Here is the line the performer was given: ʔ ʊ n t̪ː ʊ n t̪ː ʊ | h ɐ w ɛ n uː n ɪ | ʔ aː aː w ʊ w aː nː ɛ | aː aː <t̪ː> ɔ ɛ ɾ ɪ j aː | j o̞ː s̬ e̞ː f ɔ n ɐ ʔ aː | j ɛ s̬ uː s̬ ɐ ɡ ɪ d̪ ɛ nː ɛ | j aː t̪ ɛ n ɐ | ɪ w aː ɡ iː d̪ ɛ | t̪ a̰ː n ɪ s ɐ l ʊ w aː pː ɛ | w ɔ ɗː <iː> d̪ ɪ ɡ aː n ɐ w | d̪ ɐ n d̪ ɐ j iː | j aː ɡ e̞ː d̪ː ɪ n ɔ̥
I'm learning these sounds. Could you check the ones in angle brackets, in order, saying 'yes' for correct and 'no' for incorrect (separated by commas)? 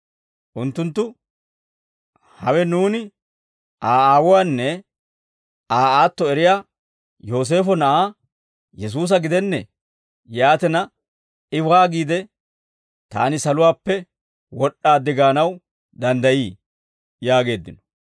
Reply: yes, no